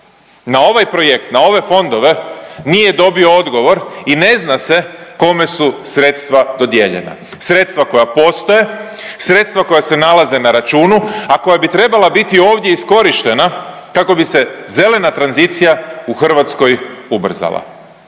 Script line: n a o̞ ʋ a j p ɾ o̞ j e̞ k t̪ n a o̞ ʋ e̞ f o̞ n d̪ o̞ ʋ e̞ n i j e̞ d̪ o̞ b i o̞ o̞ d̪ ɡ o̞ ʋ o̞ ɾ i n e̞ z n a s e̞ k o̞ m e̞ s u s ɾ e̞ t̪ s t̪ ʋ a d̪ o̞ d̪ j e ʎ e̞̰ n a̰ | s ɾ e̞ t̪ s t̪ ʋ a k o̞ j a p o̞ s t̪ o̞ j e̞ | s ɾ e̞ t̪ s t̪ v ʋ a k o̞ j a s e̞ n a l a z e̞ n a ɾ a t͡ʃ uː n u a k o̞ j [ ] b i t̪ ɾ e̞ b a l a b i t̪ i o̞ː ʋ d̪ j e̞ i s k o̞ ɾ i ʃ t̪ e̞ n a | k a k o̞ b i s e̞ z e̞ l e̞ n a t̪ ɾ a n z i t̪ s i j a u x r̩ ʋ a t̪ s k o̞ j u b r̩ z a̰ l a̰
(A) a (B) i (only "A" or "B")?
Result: A